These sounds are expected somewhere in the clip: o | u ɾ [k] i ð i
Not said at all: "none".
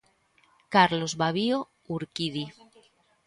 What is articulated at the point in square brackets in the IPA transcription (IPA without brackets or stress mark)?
k